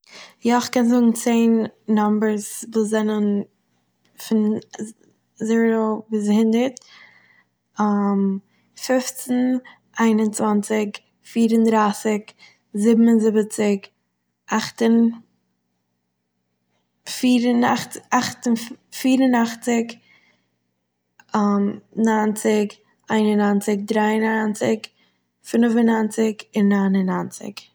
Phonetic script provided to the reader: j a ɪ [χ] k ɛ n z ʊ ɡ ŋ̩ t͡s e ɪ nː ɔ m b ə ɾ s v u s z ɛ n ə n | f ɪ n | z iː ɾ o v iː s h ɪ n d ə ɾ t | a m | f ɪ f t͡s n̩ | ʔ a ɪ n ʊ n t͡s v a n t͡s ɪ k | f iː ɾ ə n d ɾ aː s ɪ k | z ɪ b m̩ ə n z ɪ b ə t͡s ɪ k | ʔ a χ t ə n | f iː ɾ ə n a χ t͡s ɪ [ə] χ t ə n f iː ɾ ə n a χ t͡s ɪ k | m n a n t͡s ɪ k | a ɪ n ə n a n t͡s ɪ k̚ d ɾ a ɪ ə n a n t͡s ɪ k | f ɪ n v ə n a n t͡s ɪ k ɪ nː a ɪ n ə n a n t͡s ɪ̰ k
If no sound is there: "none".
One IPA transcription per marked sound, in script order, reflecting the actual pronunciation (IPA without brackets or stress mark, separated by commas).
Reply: χ, a